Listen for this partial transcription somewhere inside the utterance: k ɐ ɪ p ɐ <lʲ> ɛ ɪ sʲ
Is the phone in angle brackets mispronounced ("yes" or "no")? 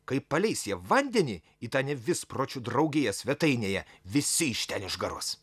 no